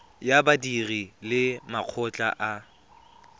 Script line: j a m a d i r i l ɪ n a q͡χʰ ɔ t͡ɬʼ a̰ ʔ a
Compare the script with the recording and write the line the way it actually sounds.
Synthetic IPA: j a b a d i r i l ɪ m a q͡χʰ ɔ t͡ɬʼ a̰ ʔ a